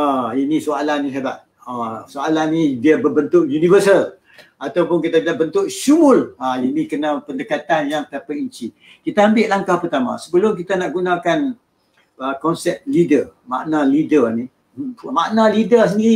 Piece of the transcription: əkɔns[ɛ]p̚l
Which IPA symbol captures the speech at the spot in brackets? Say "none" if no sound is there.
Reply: ɛ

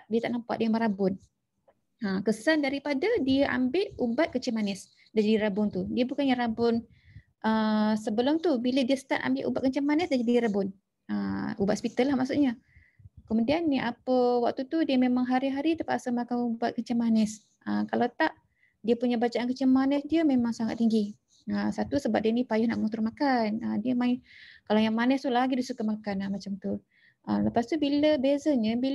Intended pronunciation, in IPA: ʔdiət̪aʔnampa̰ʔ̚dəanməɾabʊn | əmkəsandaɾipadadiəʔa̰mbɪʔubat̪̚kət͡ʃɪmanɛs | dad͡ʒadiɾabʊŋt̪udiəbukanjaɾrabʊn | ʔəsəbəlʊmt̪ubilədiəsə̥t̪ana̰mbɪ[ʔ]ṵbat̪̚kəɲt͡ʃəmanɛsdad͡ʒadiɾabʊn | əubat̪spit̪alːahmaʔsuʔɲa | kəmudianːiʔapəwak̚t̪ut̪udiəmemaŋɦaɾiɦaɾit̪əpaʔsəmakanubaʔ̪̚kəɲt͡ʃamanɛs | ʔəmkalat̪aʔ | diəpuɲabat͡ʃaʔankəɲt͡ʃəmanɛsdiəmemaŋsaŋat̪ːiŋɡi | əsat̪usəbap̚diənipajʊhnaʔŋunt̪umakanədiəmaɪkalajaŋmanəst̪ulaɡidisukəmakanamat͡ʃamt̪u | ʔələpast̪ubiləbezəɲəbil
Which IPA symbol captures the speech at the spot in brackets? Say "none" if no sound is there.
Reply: ʔ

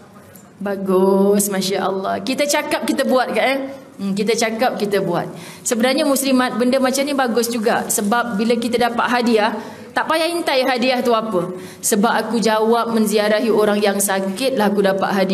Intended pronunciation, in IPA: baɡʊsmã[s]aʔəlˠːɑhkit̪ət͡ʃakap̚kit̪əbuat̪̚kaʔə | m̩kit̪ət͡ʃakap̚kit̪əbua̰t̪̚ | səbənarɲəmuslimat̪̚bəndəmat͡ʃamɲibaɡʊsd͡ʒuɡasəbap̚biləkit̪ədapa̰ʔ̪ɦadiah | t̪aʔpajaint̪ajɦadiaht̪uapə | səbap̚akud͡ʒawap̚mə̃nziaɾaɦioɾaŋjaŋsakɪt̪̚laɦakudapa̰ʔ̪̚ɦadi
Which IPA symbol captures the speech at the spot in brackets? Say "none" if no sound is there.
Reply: ʃ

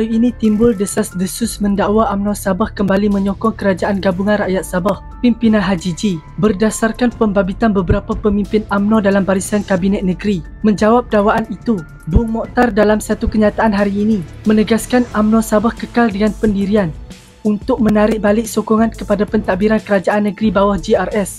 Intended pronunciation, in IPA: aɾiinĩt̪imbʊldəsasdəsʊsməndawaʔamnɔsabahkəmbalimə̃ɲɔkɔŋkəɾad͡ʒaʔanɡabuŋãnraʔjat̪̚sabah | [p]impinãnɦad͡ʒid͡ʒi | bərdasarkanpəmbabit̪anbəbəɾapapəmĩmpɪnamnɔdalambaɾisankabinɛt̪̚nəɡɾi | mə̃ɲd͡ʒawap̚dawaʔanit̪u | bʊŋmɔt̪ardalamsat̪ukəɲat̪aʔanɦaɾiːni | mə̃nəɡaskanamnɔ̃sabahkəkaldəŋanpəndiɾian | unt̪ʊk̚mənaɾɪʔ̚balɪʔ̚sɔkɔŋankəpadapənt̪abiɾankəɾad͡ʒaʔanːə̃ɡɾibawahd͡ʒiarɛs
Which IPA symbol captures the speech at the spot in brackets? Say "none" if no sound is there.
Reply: p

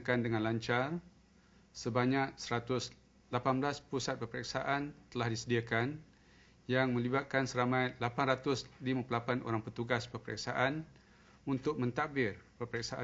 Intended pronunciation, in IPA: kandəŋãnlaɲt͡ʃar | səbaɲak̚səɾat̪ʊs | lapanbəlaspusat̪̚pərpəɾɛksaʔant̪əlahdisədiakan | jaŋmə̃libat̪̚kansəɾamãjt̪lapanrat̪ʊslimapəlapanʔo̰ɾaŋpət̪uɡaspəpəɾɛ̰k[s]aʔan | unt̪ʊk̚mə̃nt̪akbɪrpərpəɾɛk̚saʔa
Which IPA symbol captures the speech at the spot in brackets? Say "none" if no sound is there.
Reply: s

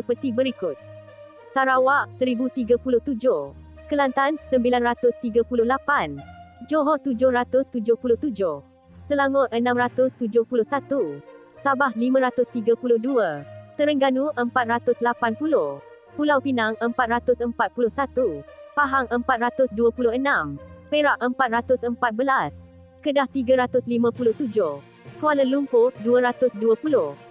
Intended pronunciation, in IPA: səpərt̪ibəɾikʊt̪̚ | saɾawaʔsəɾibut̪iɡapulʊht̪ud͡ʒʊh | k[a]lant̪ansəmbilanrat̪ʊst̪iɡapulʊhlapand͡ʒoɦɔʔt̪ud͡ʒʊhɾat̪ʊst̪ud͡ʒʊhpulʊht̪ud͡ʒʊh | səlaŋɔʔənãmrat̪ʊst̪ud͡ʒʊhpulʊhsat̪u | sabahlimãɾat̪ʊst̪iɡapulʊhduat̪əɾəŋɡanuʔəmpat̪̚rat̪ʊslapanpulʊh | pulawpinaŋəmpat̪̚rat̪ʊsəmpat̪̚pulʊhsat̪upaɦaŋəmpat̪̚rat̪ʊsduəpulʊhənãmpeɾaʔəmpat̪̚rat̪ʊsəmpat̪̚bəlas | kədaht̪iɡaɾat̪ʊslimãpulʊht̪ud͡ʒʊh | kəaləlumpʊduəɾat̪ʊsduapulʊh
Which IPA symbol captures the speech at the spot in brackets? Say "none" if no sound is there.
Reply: ə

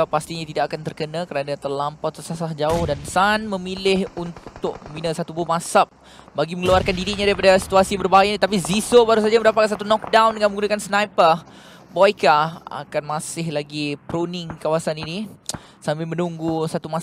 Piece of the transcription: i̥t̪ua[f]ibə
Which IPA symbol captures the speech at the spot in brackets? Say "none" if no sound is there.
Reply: s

